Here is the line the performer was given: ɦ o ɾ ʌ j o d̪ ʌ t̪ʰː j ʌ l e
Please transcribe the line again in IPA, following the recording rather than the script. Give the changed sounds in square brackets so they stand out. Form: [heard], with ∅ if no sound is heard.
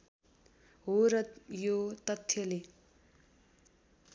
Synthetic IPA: ɦ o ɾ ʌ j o [t̪] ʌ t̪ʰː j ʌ l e